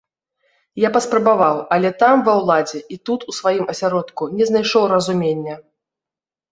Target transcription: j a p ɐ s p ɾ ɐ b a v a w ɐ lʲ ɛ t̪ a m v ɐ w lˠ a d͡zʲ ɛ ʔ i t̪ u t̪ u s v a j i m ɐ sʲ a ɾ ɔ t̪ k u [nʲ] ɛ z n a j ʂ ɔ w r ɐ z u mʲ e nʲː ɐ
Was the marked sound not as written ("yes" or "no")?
no